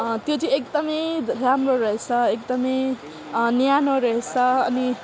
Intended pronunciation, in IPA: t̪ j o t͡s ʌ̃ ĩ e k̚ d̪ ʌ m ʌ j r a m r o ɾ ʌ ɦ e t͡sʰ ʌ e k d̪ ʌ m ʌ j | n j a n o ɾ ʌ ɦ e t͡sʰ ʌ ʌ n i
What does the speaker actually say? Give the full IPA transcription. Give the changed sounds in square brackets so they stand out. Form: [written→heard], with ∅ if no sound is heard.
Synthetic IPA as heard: t̪ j o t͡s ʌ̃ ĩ e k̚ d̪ ʌ m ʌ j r a m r o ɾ ʌ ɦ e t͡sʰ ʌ e k d̪ ʌ m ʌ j | n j a n o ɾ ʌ ɦ e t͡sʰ ʌ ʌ n i